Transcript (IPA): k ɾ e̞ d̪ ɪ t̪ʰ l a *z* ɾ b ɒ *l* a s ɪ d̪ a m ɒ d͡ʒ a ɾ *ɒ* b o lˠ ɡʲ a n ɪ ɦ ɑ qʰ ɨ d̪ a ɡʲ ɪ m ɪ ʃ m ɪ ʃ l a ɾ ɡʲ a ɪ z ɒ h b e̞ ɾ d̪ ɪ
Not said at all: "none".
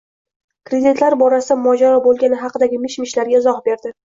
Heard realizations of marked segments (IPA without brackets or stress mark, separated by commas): none, ɾ, ɒ